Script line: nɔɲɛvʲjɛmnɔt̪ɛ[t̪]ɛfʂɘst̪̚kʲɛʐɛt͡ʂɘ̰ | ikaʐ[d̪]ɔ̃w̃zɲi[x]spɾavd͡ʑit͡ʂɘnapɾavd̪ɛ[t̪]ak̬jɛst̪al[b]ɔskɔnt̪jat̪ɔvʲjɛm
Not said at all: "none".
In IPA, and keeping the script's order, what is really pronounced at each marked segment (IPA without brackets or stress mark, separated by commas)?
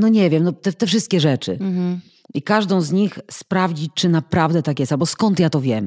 t̪, d̪, x, t̪, b